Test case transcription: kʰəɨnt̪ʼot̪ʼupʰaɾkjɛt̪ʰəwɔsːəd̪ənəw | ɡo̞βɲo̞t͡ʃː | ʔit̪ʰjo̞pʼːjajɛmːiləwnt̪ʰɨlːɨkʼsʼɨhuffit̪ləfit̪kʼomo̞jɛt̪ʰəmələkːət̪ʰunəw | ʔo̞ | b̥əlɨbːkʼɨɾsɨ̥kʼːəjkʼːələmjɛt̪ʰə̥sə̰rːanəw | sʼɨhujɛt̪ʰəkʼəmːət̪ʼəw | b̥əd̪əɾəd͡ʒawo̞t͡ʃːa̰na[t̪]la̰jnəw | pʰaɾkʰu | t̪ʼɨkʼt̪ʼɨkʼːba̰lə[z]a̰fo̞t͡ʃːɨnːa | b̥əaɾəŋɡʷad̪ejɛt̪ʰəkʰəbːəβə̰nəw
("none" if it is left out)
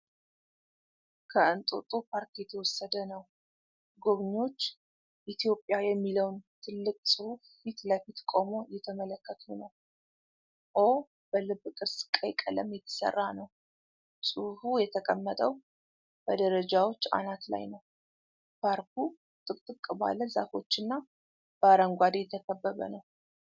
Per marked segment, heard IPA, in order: t̪, z

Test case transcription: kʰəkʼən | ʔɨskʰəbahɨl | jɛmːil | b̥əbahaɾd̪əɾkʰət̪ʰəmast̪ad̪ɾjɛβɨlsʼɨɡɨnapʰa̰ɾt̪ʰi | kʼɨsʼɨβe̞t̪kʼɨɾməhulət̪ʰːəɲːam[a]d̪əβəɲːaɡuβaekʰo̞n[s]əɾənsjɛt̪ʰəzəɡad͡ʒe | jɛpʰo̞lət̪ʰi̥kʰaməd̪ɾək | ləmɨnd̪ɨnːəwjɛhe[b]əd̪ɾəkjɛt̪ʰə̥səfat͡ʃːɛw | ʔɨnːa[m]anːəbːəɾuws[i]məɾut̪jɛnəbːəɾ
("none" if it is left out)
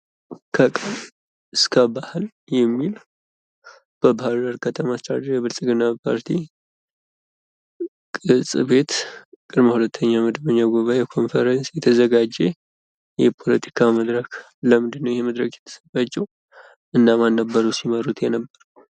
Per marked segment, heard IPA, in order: ə, f, m, m, i

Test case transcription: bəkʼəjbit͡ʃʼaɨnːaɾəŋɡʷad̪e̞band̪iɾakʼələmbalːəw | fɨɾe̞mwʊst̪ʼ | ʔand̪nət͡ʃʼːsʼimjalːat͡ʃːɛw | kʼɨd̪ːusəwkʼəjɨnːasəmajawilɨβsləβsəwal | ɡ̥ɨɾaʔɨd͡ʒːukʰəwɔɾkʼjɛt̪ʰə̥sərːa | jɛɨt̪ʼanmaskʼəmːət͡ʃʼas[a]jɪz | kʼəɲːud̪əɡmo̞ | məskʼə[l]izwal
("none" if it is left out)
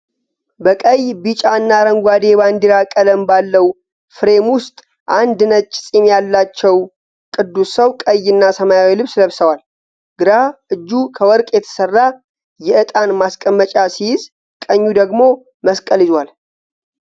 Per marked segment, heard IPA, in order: i, l

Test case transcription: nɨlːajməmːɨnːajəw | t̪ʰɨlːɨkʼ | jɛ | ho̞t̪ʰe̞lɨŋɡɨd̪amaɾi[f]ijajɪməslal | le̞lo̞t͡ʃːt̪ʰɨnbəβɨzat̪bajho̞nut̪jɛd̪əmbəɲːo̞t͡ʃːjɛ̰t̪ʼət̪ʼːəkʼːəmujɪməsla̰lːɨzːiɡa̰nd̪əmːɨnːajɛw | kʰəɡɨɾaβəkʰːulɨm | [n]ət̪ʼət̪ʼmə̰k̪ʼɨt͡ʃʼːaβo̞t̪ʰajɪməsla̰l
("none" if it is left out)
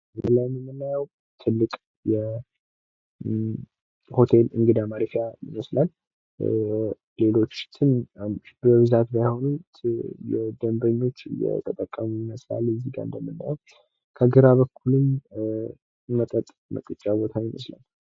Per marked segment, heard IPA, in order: f, m

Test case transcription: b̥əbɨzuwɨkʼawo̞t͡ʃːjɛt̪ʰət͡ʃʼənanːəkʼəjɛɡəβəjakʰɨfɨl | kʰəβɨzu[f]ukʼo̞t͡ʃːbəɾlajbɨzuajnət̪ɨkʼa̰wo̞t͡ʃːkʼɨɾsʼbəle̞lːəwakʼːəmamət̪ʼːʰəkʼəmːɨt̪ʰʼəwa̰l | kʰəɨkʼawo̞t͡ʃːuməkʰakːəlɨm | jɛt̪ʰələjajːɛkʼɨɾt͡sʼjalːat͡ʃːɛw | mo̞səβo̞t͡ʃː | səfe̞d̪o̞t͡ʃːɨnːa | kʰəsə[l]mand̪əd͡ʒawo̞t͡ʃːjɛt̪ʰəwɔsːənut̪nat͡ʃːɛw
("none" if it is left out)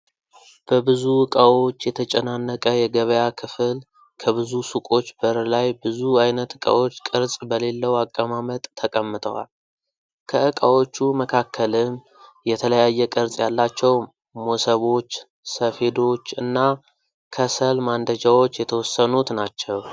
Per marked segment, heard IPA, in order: s, l

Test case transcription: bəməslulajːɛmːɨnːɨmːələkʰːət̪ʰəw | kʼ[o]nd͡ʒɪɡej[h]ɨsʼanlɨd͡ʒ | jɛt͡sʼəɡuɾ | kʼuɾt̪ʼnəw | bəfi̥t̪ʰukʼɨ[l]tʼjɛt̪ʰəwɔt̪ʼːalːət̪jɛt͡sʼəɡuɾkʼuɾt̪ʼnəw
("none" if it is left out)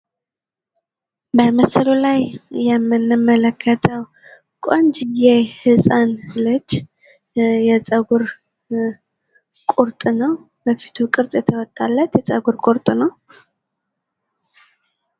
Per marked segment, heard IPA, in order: o, h, ɾ

